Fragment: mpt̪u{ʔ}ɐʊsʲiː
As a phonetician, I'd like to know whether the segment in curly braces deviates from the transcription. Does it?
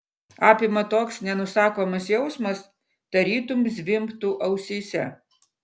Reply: no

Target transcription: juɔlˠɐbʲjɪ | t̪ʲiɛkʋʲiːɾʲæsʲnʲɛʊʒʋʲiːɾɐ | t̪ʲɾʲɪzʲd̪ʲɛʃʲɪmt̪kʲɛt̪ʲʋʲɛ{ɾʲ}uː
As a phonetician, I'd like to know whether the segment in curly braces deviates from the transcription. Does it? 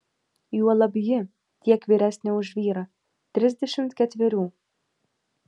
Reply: no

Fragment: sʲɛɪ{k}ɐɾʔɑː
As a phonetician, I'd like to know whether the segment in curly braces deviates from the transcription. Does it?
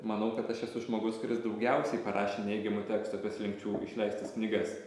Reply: yes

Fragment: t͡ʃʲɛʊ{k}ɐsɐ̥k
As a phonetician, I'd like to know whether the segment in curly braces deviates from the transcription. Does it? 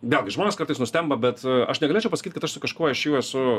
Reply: yes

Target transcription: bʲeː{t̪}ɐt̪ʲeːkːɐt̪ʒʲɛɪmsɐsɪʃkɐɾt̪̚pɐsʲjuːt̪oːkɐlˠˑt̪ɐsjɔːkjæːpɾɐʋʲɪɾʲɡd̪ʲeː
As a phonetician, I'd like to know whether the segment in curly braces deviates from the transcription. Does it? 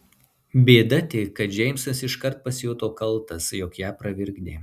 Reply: yes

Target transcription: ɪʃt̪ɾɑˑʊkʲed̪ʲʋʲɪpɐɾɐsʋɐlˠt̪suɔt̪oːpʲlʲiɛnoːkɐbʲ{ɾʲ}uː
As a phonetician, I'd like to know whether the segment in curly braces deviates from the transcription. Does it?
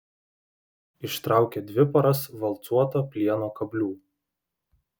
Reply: yes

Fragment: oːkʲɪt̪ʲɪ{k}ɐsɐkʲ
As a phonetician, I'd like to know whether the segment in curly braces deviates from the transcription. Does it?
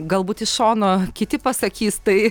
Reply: yes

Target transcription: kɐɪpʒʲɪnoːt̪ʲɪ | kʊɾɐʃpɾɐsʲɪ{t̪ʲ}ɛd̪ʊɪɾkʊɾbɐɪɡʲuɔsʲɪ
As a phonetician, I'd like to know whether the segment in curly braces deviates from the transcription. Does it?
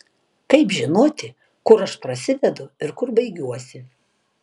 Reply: yes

